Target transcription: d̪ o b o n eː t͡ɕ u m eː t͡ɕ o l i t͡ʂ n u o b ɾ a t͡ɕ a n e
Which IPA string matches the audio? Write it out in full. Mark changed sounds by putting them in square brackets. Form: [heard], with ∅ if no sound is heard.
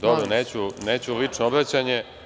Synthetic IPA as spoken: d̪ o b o n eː t͡ɕ u [n] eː t͡ɕ [u] l i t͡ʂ n [o] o b ɾ a t͡ɕ a [ɲ] e